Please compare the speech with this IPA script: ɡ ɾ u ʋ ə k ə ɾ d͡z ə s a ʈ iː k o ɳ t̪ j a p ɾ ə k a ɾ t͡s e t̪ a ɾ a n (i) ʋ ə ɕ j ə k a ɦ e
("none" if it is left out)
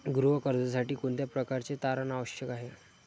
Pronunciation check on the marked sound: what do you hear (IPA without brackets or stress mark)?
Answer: a